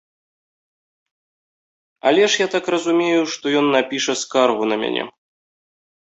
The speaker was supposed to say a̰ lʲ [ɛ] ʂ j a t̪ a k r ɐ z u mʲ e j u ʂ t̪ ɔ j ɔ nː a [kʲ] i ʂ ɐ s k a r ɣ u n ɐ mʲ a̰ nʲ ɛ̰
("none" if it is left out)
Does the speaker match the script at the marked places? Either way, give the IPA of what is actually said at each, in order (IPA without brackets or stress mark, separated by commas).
ɛ, pʲ